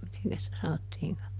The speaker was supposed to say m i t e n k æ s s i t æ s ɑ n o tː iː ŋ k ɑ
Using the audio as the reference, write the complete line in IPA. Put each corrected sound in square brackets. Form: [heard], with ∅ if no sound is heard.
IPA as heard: m i t e [ŋ] k æ s s i t æ s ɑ n o tː iː ŋ k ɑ